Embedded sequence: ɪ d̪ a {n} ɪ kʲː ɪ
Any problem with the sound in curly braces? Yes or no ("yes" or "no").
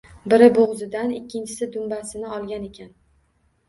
no